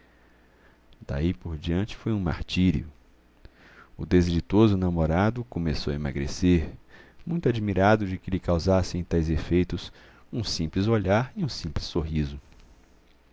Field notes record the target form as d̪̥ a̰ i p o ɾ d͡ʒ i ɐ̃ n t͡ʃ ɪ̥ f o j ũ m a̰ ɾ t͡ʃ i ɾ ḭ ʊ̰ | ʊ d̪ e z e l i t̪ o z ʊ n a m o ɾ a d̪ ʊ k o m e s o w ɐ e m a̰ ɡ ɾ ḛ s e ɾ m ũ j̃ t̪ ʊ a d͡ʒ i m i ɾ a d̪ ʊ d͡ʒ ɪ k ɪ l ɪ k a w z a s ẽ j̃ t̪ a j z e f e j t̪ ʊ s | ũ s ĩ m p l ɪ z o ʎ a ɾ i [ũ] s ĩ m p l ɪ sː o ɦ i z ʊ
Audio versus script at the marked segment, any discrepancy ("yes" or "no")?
no